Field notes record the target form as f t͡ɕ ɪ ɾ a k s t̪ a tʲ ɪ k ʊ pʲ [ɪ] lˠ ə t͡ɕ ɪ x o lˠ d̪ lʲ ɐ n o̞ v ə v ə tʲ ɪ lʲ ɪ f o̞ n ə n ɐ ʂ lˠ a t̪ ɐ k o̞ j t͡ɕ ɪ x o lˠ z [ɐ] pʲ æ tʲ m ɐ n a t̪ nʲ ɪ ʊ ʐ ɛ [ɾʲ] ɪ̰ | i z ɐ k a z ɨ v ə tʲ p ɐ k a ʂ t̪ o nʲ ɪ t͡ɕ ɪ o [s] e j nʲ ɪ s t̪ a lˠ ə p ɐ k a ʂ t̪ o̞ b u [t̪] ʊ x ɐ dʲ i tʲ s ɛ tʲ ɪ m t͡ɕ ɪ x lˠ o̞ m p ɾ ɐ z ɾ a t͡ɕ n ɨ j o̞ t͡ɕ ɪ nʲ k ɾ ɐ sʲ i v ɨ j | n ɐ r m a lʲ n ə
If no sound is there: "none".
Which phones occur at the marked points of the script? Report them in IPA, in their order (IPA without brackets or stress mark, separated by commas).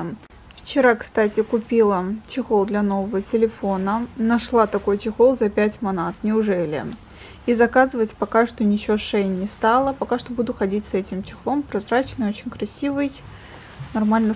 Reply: i, ɐ, lʲ, ʂ, d̪